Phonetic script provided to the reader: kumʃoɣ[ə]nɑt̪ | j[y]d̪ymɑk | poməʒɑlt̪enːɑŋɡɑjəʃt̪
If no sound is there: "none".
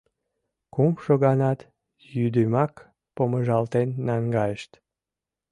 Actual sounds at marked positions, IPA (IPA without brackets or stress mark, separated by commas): ɑ, y